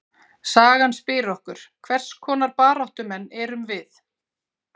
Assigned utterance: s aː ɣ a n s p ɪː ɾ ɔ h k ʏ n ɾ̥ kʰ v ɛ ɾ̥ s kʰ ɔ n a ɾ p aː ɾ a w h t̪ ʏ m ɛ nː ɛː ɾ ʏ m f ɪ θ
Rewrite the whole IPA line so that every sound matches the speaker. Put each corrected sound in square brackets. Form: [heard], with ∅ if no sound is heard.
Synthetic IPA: s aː ɣ a n s p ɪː ɾ ɔ h k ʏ [∅] ɾ̥ kʰ v ɛ [r̥] s kʰ [ɔː] n a ɾ p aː ɾ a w h t̪ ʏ m ɛ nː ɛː ɾ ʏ m [v] ɪ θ